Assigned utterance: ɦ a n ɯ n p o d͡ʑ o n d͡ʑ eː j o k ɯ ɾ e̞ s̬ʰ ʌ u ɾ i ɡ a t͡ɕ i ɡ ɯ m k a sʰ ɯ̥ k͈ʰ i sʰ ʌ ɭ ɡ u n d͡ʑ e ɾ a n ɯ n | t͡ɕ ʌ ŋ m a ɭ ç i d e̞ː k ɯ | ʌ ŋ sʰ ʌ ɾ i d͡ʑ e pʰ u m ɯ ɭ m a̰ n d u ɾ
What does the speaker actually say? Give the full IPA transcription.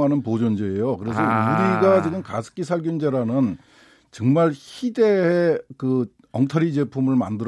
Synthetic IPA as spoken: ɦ a n ɯ n p o d͡ʑ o n d͡ʑ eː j o k ɯ ɾ e̞ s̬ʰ ʌ u ɾ i ɡ a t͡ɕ i ɡ ɯ m k a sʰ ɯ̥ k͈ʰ i sʰ a ɭ ɡ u n d͡ʑ e ɾ a n ɯ n | t͡ɕ ʌ ŋ m a ɭ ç i d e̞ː k ɯ | ʌ ŋ tʰ ʌ ɾ i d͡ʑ e pʰ u m ɯ ɭ m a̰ n d ɯ ɾ